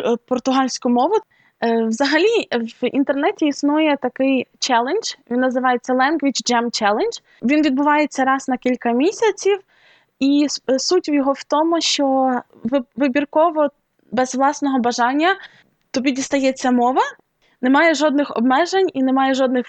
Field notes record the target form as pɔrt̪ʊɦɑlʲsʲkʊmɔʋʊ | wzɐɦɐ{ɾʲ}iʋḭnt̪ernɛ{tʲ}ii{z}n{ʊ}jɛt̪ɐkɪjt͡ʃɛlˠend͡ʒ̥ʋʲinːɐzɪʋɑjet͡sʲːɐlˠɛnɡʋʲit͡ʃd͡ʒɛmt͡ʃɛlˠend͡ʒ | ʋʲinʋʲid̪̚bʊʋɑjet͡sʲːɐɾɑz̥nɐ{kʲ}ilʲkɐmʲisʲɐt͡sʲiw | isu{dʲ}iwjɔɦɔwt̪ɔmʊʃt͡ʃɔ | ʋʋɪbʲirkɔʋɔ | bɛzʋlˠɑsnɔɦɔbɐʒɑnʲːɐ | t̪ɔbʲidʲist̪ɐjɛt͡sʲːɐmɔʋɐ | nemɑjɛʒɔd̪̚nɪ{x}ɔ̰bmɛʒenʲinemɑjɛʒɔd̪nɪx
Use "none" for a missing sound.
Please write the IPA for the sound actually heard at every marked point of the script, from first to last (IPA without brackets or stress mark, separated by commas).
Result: lʲ, tʲ, s, u, kʲ, tʲ, x